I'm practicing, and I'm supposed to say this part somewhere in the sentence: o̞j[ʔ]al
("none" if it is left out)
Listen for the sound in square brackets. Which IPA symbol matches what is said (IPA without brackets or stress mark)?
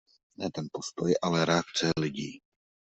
ʔ